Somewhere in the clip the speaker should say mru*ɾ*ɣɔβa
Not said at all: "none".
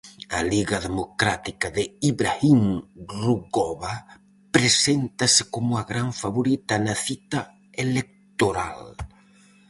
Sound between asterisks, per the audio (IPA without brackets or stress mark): none